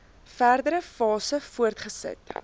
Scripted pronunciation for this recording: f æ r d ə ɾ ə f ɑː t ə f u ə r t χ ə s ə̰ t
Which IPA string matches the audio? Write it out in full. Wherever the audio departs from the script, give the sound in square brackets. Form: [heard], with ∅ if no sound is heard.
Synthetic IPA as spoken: f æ r d ə ɾ ə f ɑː [s] ə f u ə r t χ ə s ə̰ t